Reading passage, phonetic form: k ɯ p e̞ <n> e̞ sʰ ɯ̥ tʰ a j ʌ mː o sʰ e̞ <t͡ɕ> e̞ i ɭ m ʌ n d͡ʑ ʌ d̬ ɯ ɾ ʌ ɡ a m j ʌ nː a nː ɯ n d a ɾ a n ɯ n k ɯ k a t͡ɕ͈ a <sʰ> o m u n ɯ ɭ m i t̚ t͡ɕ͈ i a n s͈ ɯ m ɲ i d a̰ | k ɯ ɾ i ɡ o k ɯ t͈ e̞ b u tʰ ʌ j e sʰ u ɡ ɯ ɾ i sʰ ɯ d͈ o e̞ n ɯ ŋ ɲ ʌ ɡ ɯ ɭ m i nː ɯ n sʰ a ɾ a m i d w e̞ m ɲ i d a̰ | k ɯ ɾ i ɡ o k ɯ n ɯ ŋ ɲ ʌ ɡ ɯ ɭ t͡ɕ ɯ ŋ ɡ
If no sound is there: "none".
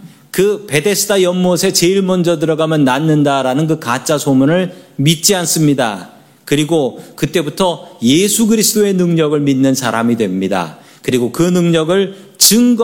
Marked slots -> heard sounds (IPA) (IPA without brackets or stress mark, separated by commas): d, t͡ɕ, sʰ